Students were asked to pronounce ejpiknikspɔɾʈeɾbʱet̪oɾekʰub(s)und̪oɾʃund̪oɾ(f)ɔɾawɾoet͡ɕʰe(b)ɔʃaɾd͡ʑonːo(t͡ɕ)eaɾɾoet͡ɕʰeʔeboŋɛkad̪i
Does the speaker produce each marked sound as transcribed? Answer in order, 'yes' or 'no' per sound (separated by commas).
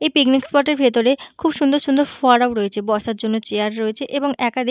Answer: no, yes, yes, yes